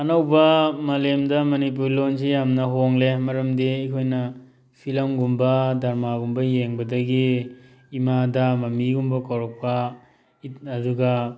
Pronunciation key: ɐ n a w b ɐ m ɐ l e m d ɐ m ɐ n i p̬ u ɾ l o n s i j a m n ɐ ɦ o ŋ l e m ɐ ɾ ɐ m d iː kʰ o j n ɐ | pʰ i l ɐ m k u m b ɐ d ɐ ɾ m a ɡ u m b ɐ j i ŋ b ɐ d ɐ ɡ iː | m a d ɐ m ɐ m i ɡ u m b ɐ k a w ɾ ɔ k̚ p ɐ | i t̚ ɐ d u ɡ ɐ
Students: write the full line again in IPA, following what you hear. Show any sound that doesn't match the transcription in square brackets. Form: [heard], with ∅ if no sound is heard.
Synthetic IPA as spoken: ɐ n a w b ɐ m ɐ l e m d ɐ m ɐ n i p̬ u ɾ l o n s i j a m n ɐ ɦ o ŋ l e m ɐ ɾ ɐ m d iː kʰ o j n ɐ | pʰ i l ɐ m [ɡ] u m b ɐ d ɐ ɾ m a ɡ u m b ɐ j [e] ŋ b ɐ d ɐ ɡ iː | m a d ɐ m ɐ m i ɡ u m b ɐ k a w ɾ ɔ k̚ p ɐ | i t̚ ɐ d u ɡ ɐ